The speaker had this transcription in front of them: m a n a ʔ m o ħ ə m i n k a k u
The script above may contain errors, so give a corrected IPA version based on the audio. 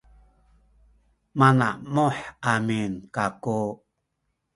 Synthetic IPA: m a n a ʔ m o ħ a m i n k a k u